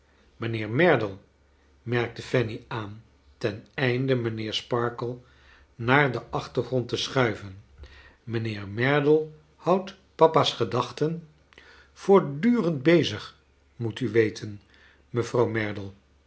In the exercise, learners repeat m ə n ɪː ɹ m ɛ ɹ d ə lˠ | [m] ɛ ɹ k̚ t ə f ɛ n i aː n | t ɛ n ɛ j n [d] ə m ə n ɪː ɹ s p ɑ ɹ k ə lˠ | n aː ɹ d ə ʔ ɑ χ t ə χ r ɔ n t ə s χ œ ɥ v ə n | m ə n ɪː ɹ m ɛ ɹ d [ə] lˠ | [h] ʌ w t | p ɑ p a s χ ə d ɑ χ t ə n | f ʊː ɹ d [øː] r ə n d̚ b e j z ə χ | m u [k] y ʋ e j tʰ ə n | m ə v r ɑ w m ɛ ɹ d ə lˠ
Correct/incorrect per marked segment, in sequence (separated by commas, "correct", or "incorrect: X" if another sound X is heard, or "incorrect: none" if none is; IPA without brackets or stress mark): correct, correct, correct, correct, incorrect: yː, incorrect: t